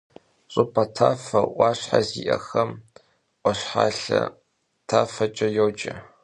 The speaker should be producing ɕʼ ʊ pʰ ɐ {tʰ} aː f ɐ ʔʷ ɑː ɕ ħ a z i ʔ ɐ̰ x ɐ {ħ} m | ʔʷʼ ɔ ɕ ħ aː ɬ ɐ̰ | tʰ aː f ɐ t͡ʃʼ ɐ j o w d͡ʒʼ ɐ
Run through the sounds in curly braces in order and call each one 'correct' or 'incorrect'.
correct, incorrect

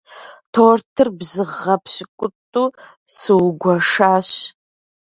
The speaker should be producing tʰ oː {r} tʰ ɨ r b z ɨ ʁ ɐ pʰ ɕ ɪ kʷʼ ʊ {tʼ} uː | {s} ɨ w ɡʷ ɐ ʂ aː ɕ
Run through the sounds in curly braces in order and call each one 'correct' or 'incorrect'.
correct, correct, correct

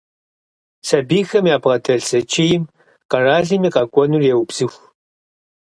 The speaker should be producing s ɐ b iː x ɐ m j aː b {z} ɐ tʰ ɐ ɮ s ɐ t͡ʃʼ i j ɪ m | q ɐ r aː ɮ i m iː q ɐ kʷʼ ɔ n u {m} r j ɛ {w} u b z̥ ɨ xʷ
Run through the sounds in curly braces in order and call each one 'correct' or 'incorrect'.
incorrect, incorrect, correct

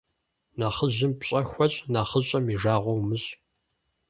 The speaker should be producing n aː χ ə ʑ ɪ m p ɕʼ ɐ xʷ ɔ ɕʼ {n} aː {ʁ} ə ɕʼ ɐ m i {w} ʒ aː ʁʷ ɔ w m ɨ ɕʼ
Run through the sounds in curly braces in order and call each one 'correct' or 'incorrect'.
correct, incorrect, incorrect

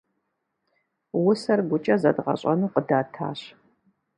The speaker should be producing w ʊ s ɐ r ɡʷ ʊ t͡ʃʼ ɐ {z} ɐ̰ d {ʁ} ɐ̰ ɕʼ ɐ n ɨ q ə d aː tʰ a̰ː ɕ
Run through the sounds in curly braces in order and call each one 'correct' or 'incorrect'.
correct, correct

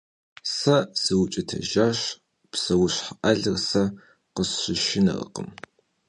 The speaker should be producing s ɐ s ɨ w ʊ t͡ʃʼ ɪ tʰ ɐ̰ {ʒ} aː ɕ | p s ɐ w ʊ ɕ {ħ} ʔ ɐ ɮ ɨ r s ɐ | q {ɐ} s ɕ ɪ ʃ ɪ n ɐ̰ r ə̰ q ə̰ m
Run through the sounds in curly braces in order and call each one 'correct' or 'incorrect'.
correct, correct, incorrect

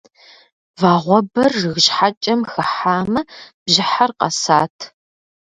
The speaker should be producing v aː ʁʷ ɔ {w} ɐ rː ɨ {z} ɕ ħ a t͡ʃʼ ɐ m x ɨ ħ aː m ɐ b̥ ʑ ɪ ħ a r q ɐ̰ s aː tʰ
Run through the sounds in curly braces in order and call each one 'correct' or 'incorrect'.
incorrect, incorrect

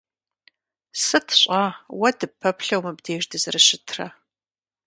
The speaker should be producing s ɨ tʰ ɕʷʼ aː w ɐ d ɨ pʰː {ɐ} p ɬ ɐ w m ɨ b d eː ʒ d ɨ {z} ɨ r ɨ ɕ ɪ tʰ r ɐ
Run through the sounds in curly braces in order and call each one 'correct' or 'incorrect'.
correct, correct

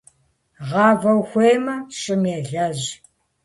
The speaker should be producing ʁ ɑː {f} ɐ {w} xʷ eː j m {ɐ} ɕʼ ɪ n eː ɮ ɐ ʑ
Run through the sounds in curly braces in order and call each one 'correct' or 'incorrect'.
incorrect, correct, correct

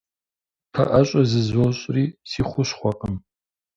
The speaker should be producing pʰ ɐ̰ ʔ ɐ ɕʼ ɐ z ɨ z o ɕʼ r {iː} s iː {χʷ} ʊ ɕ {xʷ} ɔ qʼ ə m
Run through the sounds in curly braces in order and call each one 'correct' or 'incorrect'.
correct, correct, incorrect

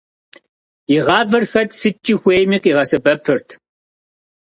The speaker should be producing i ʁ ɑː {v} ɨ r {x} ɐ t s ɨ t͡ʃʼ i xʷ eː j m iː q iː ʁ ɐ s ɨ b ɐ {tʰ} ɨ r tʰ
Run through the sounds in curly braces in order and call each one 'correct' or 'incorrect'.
correct, correct, incorrect

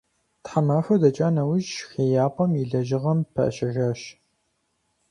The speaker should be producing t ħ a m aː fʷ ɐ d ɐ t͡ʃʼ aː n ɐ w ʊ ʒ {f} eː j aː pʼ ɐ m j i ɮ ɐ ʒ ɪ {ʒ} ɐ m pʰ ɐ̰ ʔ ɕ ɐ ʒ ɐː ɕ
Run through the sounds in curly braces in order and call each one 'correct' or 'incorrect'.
incorrect, incorrect

